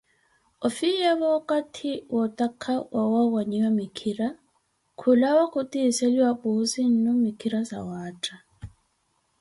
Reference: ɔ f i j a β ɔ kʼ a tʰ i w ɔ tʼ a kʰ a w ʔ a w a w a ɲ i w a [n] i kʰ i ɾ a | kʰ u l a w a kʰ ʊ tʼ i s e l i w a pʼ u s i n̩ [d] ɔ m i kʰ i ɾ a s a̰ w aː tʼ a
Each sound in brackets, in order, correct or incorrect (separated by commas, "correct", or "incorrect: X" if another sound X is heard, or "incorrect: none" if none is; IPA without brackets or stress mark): incorrect: m, incorrect: n